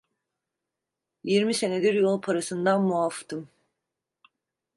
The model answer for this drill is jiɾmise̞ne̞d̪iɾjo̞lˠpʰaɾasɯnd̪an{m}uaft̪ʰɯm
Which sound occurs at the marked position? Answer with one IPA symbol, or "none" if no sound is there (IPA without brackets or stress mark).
m